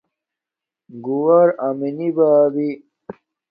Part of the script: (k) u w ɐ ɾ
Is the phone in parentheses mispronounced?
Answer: yes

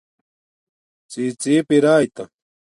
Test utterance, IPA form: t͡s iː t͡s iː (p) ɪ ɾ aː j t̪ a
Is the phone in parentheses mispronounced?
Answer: no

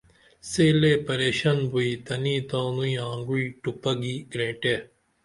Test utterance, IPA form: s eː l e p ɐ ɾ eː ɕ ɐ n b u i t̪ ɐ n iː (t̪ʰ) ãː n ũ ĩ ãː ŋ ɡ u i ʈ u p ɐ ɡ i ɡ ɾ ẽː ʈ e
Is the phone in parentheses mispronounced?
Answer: yes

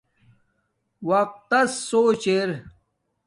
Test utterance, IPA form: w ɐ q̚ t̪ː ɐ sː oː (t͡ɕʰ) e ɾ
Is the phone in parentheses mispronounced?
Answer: yes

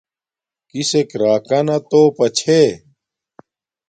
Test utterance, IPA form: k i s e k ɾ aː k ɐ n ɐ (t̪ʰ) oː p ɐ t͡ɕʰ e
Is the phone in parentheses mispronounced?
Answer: yes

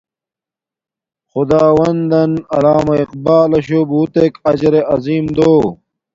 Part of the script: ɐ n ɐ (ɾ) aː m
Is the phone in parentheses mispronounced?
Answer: yes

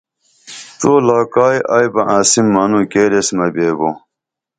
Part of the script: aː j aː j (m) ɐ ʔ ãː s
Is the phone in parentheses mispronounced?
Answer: yes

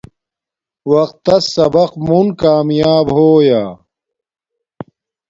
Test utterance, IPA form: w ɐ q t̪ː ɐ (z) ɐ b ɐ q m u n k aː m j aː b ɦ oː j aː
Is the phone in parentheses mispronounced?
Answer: yes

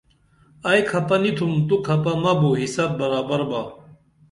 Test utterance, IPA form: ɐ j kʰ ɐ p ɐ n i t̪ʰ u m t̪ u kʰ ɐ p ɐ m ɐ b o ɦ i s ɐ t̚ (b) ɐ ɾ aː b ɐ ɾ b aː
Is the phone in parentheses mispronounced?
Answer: no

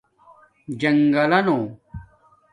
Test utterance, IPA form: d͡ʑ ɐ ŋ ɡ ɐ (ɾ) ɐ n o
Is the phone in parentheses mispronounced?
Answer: yes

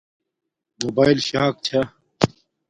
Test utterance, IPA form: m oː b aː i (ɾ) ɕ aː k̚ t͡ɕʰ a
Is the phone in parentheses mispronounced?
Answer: yes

